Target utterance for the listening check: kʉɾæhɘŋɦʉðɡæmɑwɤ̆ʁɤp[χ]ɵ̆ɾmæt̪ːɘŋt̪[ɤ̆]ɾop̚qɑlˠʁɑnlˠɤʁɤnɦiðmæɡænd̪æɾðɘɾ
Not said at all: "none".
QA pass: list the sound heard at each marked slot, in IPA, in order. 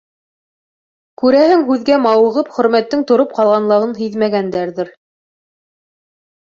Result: χ, ŏ

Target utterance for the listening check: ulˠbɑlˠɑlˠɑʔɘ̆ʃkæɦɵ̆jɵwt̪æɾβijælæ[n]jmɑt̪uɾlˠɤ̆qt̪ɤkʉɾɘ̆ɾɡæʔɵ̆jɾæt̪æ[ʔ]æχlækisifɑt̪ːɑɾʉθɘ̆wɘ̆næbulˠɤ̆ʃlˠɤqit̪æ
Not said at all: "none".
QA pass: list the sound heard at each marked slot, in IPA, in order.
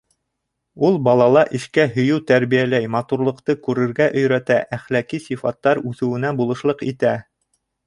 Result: none, ʔ

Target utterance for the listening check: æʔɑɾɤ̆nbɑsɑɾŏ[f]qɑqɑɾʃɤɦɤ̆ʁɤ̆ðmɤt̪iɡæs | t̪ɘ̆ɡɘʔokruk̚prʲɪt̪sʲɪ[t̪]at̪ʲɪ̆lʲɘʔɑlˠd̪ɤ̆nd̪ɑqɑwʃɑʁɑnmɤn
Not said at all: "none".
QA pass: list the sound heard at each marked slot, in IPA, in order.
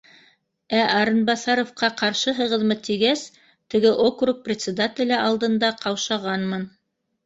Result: f, d̪

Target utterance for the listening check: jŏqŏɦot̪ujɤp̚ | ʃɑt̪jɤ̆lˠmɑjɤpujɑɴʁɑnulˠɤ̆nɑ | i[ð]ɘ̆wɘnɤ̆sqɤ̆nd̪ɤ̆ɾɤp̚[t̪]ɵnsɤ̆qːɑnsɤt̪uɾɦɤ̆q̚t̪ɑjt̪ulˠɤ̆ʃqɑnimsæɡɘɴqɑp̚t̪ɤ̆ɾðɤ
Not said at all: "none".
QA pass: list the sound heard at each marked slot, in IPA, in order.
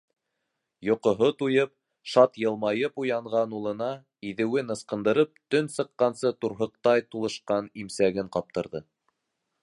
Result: ð, t̪

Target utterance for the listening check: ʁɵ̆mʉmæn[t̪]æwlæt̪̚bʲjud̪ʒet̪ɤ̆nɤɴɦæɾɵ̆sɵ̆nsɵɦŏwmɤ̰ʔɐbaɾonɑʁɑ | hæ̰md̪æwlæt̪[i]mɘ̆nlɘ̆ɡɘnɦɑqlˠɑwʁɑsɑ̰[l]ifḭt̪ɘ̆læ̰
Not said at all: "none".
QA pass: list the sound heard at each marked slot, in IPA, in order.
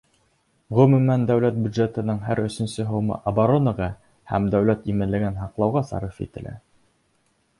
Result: d̪, i, ɾ

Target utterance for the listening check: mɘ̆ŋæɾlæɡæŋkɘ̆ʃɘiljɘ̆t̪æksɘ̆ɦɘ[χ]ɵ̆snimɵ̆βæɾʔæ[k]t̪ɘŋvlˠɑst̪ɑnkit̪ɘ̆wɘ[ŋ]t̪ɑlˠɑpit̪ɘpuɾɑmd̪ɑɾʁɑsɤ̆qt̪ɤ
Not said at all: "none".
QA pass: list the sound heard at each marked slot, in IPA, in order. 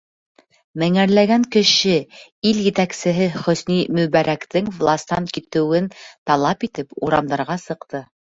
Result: χ, k, n

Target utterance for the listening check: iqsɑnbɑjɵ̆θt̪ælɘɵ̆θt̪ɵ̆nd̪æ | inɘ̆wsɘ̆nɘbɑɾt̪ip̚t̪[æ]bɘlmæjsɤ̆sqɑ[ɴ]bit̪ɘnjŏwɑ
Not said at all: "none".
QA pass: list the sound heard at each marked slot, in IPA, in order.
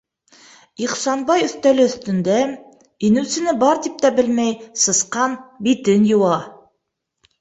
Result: æ, n

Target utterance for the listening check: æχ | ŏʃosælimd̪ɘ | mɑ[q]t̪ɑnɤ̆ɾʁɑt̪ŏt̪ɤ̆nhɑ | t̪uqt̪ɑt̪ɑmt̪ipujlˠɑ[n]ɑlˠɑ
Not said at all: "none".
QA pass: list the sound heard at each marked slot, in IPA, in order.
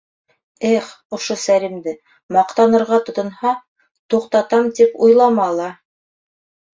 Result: q, m

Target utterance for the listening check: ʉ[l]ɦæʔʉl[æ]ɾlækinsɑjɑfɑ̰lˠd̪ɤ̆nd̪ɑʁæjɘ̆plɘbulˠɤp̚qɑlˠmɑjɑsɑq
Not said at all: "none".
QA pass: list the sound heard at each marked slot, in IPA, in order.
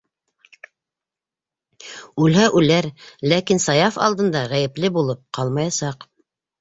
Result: l, æ

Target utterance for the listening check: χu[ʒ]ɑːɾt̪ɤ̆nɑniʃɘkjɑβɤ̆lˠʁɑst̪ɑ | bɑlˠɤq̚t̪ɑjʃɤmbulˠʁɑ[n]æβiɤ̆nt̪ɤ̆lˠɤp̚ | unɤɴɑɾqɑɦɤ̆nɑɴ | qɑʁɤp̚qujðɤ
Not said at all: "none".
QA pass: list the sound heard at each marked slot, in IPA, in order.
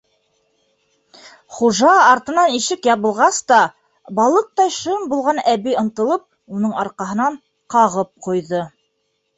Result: ʒ, n

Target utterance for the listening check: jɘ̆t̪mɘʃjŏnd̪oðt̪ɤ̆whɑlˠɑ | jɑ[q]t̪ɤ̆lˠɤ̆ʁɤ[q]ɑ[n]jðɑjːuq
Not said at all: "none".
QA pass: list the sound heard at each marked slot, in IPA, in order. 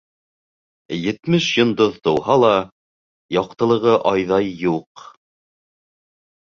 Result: q, ʔ, none

